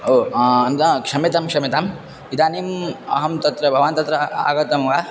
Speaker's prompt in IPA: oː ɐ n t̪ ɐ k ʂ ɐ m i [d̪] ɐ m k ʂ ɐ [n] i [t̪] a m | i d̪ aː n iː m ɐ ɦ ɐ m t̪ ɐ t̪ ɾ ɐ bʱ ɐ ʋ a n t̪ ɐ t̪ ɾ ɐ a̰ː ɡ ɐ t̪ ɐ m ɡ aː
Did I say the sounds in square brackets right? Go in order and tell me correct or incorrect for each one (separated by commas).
incorrect, incorrect, correct